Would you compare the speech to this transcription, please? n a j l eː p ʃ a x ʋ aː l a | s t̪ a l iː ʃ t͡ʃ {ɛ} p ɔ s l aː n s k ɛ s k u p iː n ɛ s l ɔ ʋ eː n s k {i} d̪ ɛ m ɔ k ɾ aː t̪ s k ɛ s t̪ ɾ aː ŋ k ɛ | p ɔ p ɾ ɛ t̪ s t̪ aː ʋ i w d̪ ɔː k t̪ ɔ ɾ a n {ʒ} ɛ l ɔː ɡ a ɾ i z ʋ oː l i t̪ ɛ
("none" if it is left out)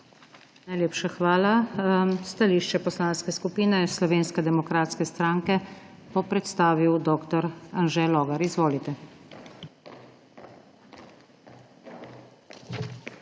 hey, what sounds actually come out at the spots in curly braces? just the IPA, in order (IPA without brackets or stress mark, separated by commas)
ɛ, ɛ, ʒ